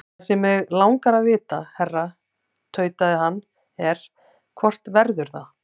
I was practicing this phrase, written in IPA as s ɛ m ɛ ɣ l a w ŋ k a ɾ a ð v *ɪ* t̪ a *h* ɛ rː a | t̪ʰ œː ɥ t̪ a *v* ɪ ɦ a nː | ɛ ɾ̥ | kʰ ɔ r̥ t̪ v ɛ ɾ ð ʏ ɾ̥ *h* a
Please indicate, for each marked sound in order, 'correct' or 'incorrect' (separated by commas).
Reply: incorrect, correct, incorrect, incorrect